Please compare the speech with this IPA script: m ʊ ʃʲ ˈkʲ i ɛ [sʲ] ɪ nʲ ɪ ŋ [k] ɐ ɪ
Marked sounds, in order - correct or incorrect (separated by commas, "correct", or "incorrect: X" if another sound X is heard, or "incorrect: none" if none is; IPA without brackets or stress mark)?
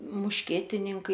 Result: incorrect: tʲ, correct